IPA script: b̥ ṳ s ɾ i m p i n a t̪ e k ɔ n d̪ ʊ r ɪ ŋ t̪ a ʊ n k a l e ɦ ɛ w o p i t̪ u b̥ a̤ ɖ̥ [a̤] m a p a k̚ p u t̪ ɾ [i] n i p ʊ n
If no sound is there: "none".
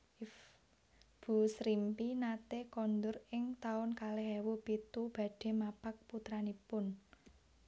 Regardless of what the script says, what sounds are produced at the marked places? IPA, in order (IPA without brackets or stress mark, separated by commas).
e̤, a